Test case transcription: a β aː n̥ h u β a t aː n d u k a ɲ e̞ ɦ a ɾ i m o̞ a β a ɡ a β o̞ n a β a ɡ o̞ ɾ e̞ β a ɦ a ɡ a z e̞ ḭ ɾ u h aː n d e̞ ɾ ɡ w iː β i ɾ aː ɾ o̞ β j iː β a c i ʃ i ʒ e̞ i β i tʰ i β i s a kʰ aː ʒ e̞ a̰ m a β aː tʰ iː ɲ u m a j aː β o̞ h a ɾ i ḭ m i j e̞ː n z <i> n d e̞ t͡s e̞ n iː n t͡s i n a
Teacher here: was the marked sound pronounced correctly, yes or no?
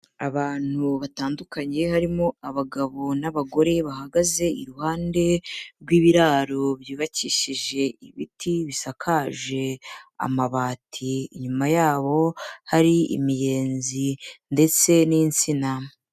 yes